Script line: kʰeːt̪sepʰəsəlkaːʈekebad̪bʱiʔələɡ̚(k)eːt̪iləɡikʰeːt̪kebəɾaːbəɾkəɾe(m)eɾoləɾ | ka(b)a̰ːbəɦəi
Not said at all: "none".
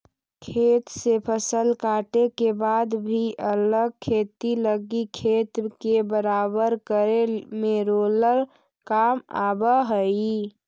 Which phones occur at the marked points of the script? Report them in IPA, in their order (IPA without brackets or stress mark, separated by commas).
kʰ, m, m